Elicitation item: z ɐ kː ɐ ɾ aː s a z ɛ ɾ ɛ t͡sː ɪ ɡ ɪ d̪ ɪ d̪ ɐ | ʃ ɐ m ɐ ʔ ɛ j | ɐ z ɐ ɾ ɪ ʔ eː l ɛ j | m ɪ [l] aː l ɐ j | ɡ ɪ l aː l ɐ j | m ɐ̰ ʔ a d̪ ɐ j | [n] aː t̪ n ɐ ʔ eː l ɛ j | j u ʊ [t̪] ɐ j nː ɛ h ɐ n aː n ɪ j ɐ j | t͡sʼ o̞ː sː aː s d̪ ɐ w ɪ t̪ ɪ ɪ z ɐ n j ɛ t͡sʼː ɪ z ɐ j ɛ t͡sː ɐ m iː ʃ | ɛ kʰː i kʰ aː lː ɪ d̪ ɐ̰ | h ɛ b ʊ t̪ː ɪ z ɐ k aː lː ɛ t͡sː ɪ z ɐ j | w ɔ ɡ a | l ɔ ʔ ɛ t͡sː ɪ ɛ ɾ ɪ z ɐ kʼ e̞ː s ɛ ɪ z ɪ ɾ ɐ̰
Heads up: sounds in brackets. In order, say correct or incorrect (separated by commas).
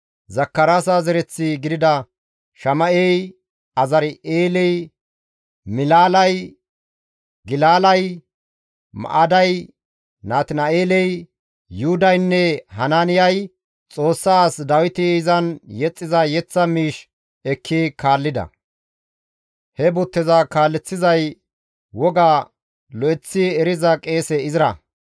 correct, correct, incorrect